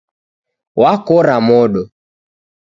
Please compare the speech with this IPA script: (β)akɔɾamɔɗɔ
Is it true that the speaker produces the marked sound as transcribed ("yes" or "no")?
no